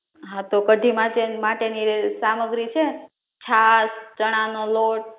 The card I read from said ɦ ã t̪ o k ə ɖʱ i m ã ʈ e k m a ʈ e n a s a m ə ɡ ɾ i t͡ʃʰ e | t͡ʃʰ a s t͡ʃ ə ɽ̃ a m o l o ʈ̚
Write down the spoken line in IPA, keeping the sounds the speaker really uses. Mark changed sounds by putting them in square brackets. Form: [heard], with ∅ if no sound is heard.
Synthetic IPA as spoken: ɦ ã t̪ o k ə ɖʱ i m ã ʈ e [∅] m a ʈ e n [i] s a m ə ɡ ɾ i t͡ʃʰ e | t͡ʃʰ a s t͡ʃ ə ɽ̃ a [n] o l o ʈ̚